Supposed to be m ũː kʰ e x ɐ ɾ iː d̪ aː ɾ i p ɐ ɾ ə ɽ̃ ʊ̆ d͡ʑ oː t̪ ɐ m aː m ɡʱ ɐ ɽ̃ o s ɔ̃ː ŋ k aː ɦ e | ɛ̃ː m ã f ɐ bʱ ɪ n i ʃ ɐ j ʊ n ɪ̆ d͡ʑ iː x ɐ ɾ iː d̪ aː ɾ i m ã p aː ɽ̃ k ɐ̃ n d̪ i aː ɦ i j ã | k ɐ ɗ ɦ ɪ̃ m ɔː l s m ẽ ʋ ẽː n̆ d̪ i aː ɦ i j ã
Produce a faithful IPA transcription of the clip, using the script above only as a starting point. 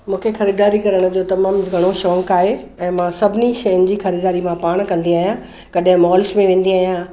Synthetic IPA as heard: m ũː kʰ e x ɐ ɾ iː d̪ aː ɾ i k ɐ ɾ ə ɽ̃ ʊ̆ d͡ʑ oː t̪ ɐ m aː m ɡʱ ɐ ɽ̃ o ʃ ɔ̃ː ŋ k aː ɦ e | ɛ̃ː m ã s ɐ bʱ ɪ n i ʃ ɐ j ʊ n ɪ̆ d͡ʑ iː x ɐ ɾ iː d̪ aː ɾ i m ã p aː ɽ̃ k ɐ̃ n d̪ i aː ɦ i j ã | k ɐ ɗ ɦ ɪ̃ m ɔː l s m ẽ ʋ ẽː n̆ d̪ i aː ɦ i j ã